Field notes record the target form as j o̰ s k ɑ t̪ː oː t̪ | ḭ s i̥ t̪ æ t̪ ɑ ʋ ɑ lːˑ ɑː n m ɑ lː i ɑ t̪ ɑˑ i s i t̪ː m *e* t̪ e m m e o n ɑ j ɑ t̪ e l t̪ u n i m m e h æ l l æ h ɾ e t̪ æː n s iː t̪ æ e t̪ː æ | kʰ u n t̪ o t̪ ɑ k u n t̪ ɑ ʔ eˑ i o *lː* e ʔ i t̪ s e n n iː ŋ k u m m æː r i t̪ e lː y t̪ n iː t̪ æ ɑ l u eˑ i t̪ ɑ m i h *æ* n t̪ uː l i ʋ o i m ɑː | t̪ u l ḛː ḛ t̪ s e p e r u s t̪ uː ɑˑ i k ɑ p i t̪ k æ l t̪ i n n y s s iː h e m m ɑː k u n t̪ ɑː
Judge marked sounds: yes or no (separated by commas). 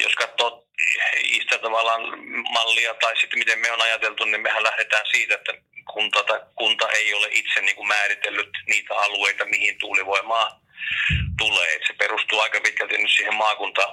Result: no, no, no